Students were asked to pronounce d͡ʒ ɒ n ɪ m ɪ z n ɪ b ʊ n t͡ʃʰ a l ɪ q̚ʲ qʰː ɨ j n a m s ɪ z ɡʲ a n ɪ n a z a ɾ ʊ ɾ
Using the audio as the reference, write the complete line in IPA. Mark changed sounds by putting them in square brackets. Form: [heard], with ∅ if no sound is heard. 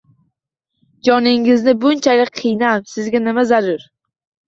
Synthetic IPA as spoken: d͡ʒ ɒ n ɪ [ŋ] ɪ z n ɪ b ʊ n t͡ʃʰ a l ɪ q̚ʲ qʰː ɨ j n a m s ɪ z ɡʲ a n ɪ [m] a z a ɾ ʊ ɾ